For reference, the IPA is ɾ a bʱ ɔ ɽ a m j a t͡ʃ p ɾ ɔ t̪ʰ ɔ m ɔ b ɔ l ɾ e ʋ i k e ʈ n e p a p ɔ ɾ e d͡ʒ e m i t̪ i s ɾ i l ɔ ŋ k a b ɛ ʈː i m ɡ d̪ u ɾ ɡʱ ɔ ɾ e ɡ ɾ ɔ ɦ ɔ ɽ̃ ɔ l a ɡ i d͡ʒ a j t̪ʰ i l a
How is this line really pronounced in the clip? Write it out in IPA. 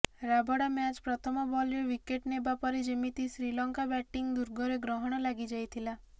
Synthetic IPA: ɾ a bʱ ɔ ɽ a m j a t͡ʃ p ɾ ɔ t̪ʰ ɔ m ɔ b ɔ l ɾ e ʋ i k e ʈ n e b a p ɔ ɾ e d͡ʒ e m i t̪ i s ɾ i l ɔ ŋ k a b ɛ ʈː i ŋ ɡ d̪ u ɾ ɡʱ ɔ ɾ e ɡ ɾ ɔ ɦ ɔ ɽ̃ ɔ l a ɡ i d͡ʒ a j t̪ʰ i l a